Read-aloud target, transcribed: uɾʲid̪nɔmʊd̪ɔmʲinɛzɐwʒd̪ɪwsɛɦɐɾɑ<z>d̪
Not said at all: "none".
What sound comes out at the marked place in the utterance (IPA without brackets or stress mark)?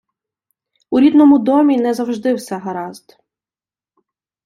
z